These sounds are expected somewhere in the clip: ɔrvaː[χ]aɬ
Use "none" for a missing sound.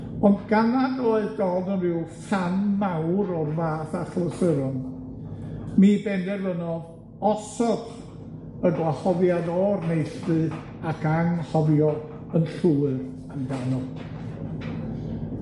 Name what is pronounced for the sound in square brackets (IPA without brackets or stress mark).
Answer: θ